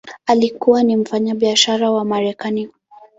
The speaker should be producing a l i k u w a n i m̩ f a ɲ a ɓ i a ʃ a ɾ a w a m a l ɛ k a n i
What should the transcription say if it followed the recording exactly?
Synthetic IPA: a l i k u w a n i m̩ f a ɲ a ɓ i a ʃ a ɾ a w a m a ɾ ɛ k a n i

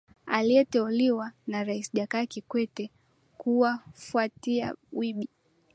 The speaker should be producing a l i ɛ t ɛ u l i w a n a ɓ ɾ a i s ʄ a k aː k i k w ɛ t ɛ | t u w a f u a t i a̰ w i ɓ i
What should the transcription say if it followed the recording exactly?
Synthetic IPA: a l i ɛ t ɛ u l i w a n a ɾ a i s ʄ a k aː k i k w ɛ t ɛ | k u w a f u a t i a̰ w i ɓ i

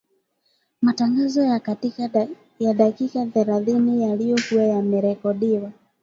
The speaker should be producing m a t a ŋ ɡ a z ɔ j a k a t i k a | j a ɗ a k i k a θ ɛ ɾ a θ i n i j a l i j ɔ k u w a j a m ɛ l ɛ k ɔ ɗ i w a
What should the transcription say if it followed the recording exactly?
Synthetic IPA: m a t a ŋ ɡ a z ɔ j a k a t i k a | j a ɗ a k i k a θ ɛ ɾ a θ i n i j a l i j ɔ k u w a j a m ɛ ɾ ɛ k ɔ ɗ i w a

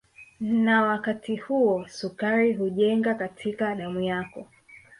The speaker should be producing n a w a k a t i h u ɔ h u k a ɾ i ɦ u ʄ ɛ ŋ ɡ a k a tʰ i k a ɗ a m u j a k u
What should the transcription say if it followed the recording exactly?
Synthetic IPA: n a w a k a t i h u ɔ s u k a ɾ i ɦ u ʄ ɛ ŋ ɡ a k a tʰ i k a ɗ a m u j a k ɔ

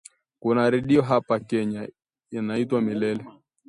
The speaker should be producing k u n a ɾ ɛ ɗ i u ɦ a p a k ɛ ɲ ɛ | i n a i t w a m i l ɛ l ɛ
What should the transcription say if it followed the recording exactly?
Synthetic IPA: k u n a ɾ ɛ ɗ i ɔ ɦ a p a k ɛ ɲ a | i n a i t w a m i l ɛ l ɛ

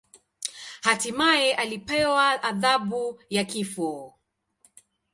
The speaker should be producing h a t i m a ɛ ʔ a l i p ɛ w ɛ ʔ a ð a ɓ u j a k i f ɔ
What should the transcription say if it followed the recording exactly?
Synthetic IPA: h a t i m a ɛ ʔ a l i p ɛ w a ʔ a ð a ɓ u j a k i f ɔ

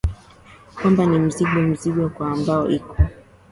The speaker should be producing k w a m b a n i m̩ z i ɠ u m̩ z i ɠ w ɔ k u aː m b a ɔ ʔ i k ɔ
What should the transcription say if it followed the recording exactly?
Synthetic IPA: k w a m b a n i m̩ z i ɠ ɔ m̩ z i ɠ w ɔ k w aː m b a ɔ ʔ i k ɔ

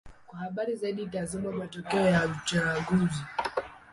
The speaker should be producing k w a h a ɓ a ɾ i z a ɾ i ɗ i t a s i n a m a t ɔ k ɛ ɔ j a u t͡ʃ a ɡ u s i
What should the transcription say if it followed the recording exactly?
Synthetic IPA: k w a h a ɓ a ɾ i z a i ɗ i t a z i m a m a t ɔ k ɛ ɔ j a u t͡ʃ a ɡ u z i

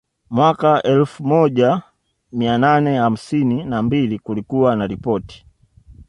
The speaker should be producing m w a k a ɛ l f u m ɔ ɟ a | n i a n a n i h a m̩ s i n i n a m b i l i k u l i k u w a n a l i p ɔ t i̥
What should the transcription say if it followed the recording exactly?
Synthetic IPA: m w a k a ɛ l f u m ɔ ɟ a | m i a n a n ɛ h a m̩ s i n i n a m b i l i k u l i k u w a n a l i p ɔ t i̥

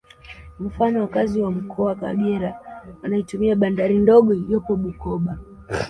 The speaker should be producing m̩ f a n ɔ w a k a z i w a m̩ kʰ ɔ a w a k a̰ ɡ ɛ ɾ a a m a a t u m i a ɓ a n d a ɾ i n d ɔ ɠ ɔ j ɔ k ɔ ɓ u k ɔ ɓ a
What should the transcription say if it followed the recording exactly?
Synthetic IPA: m̩ f a n ɔ w a k a z i w a m̩ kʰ ɔ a w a k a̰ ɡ ɛ ɾ a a n a i t u m i a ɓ a n d a ɾ i n d ɔ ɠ ɔ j ɔ p ɔ ɓ u k ɔ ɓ a

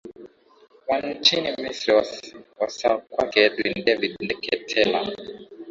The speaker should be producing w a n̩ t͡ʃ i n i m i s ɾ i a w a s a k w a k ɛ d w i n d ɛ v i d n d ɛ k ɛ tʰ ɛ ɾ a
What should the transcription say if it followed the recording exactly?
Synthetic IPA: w a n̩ t͡ʃ i n i m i s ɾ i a w a s a k w a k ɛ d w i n d ɛ v i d n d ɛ k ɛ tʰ ɛ l a

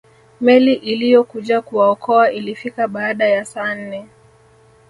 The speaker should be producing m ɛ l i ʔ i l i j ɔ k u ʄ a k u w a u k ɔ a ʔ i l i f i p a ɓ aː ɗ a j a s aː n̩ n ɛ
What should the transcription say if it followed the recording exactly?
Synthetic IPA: m ɛ l i ʔ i l i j ɔ k u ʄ a k u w a ɔ k ɔ a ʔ i l i f i k a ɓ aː ɗ a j a s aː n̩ n ɛ

